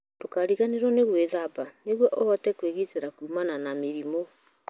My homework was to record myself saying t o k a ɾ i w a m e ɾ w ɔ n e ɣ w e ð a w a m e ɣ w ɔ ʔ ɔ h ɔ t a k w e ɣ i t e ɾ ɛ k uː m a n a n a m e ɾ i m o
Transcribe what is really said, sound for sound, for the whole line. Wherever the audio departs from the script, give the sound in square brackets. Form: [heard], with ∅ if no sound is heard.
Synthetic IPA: t o k a ɾ i [ɣ] a [n] e ɾ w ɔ n e ɣ w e ð a [b] a [n] e ɣ w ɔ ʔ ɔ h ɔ t [ɛ] k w e ɣ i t e ɾ [a] k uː m a n a n a m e ɾ i m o